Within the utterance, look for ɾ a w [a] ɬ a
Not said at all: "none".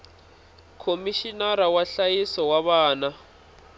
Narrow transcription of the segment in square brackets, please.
a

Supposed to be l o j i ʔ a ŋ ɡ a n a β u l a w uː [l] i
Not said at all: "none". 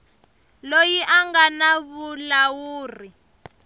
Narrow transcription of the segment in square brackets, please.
r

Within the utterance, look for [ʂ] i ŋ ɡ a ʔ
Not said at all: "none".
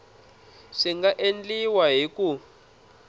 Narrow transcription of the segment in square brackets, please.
ʂ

